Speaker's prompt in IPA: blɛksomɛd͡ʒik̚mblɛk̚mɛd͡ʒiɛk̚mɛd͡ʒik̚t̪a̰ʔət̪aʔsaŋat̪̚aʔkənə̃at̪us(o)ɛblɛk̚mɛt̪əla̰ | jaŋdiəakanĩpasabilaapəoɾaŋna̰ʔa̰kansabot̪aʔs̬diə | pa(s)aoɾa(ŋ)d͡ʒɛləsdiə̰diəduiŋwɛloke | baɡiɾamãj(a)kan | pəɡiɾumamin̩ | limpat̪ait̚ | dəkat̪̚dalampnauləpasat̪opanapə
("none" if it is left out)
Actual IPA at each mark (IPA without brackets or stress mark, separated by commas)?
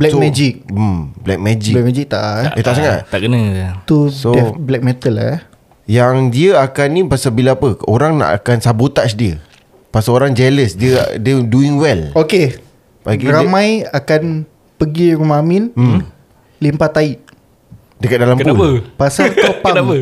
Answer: o, s, ŋ, a